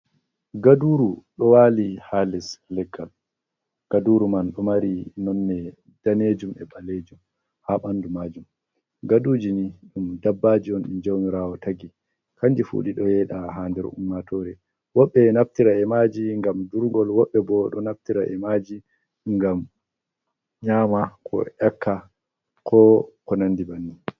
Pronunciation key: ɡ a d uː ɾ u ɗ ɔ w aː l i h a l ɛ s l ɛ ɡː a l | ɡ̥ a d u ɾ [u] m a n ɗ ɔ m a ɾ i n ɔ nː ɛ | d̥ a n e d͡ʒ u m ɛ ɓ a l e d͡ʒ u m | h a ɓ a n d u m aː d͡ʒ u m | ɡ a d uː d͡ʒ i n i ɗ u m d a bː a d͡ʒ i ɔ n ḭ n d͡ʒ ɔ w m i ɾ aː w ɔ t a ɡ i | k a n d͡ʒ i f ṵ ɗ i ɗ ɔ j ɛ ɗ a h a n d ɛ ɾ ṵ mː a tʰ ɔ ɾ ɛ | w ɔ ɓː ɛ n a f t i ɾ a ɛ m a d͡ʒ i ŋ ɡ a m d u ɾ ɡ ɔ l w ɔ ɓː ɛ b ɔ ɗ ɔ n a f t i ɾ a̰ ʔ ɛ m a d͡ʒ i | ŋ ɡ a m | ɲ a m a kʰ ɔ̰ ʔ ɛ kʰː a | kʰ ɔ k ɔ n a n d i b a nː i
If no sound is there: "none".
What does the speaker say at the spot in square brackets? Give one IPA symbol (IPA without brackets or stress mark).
u